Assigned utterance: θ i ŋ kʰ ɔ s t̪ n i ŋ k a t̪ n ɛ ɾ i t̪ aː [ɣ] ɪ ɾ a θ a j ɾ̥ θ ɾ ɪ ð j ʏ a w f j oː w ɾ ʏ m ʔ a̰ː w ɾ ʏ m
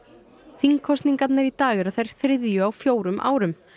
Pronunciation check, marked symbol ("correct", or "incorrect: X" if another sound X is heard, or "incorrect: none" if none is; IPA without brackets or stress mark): correct